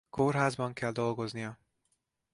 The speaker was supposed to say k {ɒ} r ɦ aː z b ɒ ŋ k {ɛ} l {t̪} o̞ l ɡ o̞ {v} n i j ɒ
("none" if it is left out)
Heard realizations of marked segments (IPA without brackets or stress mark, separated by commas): o, ɛ, d̪, z